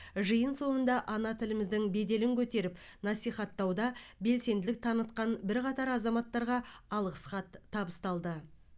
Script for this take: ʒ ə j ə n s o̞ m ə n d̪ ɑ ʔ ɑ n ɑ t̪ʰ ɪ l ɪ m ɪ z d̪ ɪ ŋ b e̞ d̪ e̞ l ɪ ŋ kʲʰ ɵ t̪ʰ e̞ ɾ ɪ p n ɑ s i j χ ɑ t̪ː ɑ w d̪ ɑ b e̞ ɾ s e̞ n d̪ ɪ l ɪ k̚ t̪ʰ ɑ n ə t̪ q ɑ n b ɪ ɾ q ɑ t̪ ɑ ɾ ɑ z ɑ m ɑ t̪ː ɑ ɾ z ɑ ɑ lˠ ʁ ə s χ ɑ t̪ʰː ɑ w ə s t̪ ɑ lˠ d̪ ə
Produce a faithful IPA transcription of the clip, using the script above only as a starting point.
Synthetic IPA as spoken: ʒ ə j ə n s o̞ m ə n d̪ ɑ ʔ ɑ n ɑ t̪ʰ ɪ l ɪ m ɪ z d̪ ɪ ŋ b e̞ d̪ e̞ l ɪ ŋ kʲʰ ɵ t̪ e̞ ɾ ɪ p n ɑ s i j χ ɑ t̪ː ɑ w d̪ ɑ b e̞ l s e̞ n d̪ ɪ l ɪ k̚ t̪ʰ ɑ n ə t̪ q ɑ n b ɪ ɾ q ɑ t̪ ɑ ɾ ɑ z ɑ m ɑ t̪ː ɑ ɾ ʁ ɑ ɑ lˠ ʁ ə s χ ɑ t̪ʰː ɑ b ə s t̪ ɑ lˠ d̪ ə